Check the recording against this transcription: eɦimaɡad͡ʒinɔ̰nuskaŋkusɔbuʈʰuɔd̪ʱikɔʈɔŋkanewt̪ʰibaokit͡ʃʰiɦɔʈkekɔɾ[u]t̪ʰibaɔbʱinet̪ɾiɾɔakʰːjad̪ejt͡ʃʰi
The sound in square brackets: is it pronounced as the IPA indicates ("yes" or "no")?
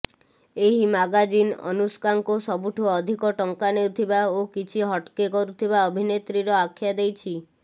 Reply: yes